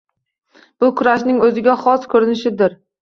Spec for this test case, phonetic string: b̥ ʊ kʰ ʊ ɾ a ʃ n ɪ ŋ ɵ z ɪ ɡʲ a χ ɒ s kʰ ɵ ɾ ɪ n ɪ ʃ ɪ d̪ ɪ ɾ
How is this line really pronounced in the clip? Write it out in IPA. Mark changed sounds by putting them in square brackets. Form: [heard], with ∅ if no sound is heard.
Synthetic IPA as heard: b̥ ʊ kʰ ʊ ɾ a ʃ n ɪ ŋ ɵ z ɪ ɡʲ a χ ɒ s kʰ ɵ ɾ ɪ n ɪ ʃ ɪ d̪ ɪ ɾ